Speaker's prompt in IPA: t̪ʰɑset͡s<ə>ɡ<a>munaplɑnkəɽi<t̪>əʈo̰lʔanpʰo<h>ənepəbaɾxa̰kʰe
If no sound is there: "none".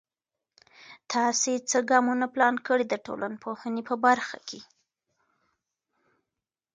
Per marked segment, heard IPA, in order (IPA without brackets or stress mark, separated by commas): ə, ɑ, d̪, h